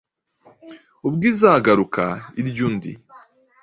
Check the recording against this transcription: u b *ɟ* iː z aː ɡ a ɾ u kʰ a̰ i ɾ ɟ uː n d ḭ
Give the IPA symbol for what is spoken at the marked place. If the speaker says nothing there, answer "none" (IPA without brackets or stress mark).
ɡ